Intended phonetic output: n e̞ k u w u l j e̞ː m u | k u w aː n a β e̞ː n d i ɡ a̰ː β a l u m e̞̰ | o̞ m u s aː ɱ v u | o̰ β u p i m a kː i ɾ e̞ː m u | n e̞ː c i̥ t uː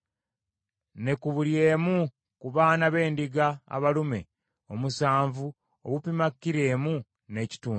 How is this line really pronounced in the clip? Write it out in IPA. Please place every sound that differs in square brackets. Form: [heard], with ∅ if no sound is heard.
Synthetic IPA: n e̞ k u [β] u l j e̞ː m u | k u [β] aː n a β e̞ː n d i ɡ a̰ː β a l u m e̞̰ | o̞ m u s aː ɱ v u | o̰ β u p i m a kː i ɾ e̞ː m u | n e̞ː c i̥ t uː